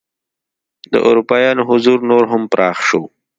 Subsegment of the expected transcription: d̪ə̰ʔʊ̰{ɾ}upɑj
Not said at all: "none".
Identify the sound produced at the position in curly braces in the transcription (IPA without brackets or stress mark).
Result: ɾ